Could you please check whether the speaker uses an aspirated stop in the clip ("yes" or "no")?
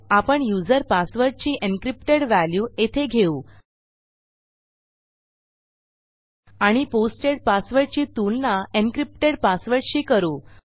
yes